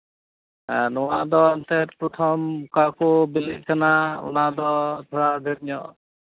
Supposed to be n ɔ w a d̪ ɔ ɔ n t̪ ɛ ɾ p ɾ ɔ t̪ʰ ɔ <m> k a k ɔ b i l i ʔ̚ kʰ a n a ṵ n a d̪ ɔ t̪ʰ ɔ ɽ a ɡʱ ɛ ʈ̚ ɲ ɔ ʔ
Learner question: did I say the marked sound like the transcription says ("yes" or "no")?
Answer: yes